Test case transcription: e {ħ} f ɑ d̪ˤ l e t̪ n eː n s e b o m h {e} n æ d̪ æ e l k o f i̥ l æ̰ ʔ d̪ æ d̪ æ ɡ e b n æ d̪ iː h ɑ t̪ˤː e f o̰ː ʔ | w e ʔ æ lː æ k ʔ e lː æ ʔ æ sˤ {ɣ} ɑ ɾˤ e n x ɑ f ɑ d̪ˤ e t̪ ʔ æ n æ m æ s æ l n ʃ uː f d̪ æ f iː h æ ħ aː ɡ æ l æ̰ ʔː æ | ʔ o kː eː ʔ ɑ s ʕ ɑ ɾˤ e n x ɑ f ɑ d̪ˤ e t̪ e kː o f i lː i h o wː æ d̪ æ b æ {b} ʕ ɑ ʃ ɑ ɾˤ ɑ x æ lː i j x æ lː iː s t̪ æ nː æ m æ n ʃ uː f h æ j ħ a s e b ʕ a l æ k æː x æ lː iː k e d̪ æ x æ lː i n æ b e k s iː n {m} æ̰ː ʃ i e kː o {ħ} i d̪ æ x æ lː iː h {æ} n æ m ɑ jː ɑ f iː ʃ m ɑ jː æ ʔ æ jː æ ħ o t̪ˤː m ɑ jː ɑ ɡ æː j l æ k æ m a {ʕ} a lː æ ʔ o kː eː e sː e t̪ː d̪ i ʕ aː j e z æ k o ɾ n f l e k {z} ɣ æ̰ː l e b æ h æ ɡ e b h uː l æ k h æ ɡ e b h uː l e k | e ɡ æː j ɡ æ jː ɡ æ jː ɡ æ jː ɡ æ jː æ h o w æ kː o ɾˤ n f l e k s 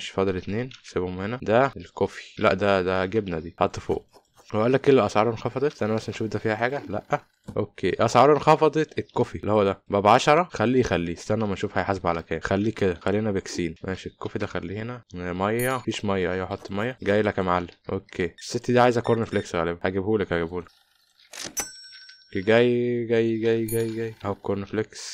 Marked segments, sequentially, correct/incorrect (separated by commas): incorrect, correct, incorrect, correct, correct, incorrect, incorrect, correct, incorrect